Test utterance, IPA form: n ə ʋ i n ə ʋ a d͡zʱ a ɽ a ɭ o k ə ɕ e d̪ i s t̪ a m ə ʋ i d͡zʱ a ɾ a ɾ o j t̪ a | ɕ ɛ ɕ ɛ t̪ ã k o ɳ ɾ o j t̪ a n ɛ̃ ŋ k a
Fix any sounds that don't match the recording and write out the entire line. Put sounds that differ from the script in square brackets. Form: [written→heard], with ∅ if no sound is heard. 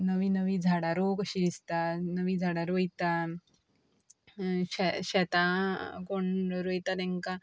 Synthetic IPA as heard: n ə ʋ i n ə ʋ [a→i] d͡zʱ a ɽ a [ɭ→ɾ] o k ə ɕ [e→i] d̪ i s t̪ a [m→n] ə ʋ i d͡zʱ a [ɾ→ɽ] a ɾ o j t̪ a | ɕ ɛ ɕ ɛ t̪ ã k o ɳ ɾ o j t̪ a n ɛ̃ ŋ k a

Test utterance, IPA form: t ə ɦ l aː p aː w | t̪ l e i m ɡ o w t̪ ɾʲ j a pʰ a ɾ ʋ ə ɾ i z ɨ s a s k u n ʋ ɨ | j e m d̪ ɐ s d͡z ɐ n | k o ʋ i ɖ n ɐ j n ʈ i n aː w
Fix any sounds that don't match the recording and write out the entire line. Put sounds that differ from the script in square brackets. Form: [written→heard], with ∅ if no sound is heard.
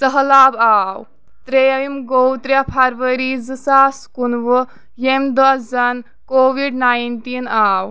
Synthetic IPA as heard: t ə ɦ l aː [p→b] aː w | t̪ [l→ɾ] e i m ɡ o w t̪ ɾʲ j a pʰ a ɾ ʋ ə ɾ i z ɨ s a s k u n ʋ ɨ | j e m d̪ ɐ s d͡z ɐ n | k o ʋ i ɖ n [ɐ→a] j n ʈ i n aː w

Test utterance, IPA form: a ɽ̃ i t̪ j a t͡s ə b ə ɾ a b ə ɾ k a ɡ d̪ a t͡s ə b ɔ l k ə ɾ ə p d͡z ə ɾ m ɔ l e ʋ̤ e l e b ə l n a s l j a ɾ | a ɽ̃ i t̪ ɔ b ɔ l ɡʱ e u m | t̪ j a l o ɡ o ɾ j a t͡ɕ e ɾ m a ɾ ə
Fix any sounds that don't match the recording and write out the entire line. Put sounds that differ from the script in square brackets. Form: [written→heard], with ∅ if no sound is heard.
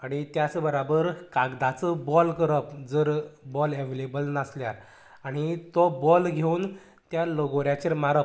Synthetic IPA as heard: a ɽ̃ i t̪ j a t͡s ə b ə ɾ a b ə ɾ k a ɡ d̪ a t͡s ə b ɔ l k ə ɾ ə p d͡z ə ɾ [m→b] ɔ l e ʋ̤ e l e b ə l n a s l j a ɾ | a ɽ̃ i t̪ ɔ b ɔ l ɡʱ e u [m→n] | t̪ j a l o ɡ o ɾ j a t͡ɕ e ɾ m a ɾ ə

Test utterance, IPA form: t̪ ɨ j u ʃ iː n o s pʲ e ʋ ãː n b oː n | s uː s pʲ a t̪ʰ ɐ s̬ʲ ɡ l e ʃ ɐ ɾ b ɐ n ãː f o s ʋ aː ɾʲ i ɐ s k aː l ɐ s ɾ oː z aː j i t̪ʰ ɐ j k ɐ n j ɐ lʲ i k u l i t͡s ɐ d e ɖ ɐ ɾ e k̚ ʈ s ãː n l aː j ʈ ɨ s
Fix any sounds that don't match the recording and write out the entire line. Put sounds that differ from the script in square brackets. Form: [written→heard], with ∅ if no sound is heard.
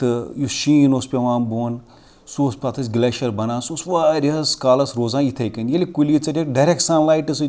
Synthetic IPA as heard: t̪ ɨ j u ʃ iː n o s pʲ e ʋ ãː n b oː n | s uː s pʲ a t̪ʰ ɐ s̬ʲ ɡ l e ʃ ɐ ɾ b ɐ n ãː [f→s] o s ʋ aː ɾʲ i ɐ s k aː l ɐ s ɾ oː z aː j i t̪ʰ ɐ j k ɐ n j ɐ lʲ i k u l i t͡s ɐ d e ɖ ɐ ɾ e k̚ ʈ s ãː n l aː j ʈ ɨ s

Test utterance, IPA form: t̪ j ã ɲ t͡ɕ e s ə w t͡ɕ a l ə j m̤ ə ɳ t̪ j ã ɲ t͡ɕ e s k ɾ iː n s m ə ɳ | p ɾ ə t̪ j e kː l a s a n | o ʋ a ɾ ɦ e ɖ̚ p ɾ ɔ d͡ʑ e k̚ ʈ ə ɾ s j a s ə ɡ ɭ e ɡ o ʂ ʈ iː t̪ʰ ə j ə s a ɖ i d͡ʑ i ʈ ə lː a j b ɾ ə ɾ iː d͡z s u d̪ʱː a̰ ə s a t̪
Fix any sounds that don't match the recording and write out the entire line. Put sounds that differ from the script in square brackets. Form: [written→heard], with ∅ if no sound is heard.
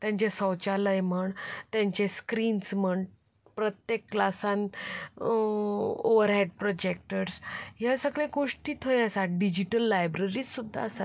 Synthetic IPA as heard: t̪ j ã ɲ t͡ɕ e s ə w t͡ɕ a l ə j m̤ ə ɳ t̪ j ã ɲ t͡ɕ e s k ɾ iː n s m ə ɳ | p ɾ ə t̪ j e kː l a s a n | o ʋ [a→ə] ɾ ɦ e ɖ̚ p ɾ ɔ d͡ʑ e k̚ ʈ ə ɾ s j a s ə ɡ ɭ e ɡ o ʂ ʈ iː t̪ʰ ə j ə s a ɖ i d͡ʑ i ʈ ə lː a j b ɾ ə ɾ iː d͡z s u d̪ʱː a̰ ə s a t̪

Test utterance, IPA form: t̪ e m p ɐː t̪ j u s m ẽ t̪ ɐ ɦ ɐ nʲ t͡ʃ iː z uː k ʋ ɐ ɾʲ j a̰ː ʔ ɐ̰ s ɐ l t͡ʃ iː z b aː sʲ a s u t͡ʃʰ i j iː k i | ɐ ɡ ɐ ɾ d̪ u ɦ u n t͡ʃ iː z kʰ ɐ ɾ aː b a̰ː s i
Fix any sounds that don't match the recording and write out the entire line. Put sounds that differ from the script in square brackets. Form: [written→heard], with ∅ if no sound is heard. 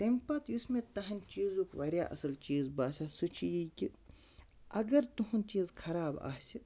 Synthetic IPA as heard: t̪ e m p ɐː t̪ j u s m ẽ t̪ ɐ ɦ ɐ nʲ t͡ʃ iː z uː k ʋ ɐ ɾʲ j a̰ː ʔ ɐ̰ s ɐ l t͡ʃ iː z b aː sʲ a s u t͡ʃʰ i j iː k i | ɐ ɡ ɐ ɾ [d̪→t̪] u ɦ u n t͡ʃ iː z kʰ ɐ ɾ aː b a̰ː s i

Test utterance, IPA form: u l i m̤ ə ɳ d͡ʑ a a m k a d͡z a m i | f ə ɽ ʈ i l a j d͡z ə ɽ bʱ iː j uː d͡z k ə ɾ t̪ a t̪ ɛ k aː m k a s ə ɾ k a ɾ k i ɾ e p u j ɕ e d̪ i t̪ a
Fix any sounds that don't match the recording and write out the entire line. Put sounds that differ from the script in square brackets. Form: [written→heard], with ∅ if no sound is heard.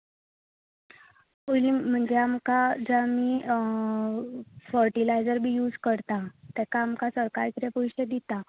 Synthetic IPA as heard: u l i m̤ ə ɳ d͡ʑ [a→e] a m k a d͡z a m i | f ə [ɽ→ɾ] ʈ i l a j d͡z ə [ɽ→ɾ] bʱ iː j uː d͡z k ə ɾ t̪ a t̪ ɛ k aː m k a s ə ɾ k a ɾ k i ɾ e p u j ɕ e d̪ i t̪ a

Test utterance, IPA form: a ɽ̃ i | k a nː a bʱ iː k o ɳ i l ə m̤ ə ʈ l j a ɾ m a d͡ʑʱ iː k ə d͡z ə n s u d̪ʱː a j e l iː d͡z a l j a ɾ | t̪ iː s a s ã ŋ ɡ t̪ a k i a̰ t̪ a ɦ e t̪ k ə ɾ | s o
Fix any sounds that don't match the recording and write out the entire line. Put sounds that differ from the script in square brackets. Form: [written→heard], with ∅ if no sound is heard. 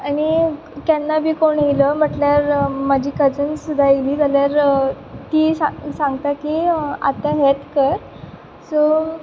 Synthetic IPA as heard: a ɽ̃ i | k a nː a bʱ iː k o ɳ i l ə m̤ ə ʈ l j a ɾ m a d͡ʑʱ iː k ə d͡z ə n s u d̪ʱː a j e l iː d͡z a l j a ɾ | t̪ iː s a s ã ŋ ɡ t̪ a k i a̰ t̪ a ɦ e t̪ k ə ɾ | s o

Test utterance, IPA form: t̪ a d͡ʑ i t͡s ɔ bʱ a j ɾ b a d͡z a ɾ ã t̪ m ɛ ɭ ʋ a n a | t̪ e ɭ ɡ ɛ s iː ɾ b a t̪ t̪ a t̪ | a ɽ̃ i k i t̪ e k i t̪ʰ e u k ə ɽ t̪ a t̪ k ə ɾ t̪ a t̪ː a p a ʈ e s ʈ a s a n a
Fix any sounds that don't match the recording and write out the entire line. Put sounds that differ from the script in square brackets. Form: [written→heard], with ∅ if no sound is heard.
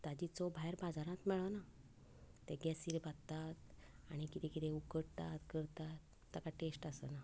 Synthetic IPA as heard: t̪ a d͡ʑ i t͡s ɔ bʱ a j ɾ b a d͡z a ɾ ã t̪ m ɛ ɭ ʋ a n a | t̪ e [ɭ→∅] ɡ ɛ s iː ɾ b a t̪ t̪ a t̪ | a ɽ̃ i k i t̪ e k i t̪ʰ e u k ə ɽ t̪ a t̪ k ə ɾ t̪ a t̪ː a [p→k] a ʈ e s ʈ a s [a→ə] n a

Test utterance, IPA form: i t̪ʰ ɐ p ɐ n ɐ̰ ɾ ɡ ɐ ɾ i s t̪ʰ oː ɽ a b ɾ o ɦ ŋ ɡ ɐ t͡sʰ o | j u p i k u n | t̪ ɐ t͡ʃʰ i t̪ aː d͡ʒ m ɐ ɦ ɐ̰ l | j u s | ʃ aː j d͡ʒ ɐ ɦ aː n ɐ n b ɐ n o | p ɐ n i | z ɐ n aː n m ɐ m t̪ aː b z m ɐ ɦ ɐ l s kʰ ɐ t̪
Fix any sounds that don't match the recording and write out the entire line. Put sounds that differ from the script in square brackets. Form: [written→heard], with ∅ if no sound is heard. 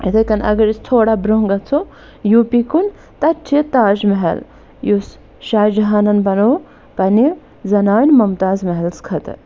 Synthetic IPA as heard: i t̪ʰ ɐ [p→k] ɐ n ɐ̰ [ɾ→∅] ɡ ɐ ɾ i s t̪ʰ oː ɽ a b ɾ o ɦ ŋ ɡ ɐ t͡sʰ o | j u p i k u n | t̪ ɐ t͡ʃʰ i t̪ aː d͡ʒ m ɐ ɦ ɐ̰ l | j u s | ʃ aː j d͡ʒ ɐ ɦ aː n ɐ n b ɐ n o | p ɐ n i | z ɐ n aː n m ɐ m t̪ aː [b→∅] z m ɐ ɦ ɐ l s kʰ ɐ t̪

